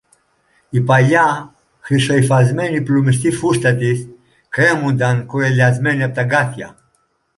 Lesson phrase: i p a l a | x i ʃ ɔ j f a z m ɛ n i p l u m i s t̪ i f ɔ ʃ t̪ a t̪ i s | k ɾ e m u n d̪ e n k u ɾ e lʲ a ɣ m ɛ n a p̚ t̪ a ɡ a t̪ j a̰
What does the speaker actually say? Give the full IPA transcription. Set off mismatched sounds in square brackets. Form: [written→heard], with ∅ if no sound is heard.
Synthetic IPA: i p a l a | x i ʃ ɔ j f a z m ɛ n i p l u m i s t̪ i f [ɔ→u] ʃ t̪ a t̪ i s | k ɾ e m u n d̪ [e→a] n k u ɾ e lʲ a [ɣ→z] m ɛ n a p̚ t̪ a ɡ a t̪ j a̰